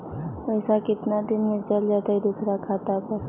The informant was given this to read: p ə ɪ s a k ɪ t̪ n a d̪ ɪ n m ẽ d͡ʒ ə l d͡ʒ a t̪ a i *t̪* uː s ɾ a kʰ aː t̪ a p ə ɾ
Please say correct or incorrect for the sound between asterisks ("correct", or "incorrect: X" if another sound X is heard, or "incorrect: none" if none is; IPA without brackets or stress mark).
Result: incorrect: d̪